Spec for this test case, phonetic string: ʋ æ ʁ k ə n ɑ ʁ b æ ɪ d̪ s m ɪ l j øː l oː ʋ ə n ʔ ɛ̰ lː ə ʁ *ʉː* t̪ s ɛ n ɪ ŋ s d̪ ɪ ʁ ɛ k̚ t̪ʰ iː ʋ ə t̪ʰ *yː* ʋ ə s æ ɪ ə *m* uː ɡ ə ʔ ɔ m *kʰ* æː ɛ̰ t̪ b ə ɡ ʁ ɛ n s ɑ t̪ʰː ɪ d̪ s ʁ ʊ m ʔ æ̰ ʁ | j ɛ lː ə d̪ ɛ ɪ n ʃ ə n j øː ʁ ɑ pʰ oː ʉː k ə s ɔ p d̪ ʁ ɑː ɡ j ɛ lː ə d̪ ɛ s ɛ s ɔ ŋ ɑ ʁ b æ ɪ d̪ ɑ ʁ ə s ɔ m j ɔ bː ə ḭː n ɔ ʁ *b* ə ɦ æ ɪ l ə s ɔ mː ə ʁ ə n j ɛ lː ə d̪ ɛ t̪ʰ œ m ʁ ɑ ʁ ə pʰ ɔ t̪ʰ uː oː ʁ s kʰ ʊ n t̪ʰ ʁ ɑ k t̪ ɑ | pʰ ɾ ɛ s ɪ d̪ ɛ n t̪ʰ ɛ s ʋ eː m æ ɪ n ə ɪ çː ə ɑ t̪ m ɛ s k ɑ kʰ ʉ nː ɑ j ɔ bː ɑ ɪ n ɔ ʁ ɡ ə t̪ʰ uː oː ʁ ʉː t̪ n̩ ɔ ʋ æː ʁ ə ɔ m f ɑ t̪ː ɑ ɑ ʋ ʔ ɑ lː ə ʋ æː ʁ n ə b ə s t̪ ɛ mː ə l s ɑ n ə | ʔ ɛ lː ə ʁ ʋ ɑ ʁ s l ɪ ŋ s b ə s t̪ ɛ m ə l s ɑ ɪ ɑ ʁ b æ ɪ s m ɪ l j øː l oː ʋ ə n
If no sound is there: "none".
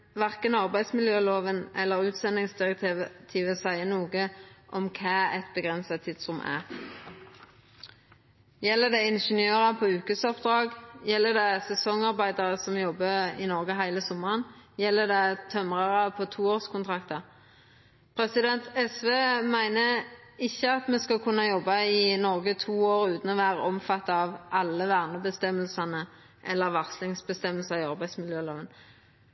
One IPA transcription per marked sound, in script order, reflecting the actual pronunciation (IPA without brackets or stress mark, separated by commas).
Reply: ʉː, iː, n, kʰ, ɡ